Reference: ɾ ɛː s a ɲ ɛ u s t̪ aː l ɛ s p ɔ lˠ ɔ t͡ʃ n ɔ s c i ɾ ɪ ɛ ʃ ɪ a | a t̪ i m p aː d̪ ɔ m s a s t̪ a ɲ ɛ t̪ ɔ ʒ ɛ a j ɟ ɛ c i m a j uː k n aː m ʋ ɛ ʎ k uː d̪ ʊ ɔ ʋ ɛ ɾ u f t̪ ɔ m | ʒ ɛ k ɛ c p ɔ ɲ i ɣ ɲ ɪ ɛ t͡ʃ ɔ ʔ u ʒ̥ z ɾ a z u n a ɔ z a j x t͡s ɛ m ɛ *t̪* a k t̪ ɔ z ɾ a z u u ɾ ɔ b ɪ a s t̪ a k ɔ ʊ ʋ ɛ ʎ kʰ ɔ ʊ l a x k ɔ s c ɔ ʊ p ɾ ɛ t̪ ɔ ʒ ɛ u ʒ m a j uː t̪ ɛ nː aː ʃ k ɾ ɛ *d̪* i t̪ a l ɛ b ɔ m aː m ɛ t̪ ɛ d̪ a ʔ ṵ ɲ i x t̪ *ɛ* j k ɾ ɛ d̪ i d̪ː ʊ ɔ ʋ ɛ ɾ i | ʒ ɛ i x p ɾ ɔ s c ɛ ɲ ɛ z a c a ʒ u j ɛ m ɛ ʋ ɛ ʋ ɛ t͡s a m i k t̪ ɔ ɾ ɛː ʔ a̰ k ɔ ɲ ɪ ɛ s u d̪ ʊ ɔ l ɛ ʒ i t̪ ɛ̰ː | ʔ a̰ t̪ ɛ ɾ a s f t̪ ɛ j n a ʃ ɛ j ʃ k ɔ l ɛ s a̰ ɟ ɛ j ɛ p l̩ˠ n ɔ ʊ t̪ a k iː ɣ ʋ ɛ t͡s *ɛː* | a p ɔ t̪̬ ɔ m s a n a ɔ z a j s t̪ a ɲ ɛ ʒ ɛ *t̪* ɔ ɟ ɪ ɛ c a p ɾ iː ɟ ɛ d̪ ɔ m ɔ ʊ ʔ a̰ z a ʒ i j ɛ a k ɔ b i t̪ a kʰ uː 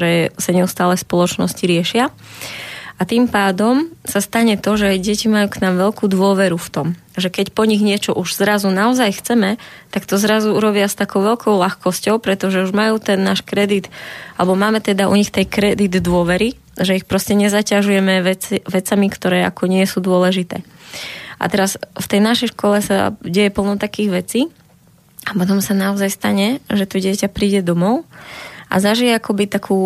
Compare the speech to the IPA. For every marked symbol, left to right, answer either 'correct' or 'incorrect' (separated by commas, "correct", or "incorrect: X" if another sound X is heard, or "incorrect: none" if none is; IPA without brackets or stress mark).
correct, correct, correct, incorrect: iː, correct